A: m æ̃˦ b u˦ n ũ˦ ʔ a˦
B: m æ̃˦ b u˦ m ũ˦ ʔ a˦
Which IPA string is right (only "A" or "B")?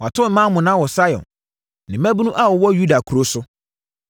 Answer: A